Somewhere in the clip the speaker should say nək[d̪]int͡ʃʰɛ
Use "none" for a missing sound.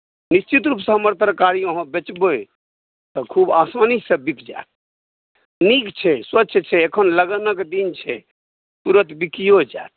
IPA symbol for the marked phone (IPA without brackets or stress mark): d̪